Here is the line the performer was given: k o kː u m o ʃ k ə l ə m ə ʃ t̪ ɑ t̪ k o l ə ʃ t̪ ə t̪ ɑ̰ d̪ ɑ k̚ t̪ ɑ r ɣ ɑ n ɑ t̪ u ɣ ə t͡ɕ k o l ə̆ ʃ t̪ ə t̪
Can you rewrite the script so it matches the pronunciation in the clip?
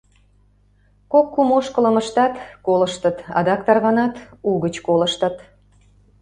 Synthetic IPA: k o kː u m o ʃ k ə l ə m ə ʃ t̪ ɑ t̪ k o l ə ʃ t̪ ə t̪ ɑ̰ d̪ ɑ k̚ t̪ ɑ r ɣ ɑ n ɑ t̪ u ɣ ə t͡ɕ k o l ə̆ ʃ t̪ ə t̪